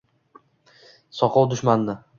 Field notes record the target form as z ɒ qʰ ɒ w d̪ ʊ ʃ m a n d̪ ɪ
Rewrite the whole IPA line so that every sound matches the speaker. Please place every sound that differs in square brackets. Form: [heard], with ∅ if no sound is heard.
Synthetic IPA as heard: [s] ɒ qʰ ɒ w d̪ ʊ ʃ m a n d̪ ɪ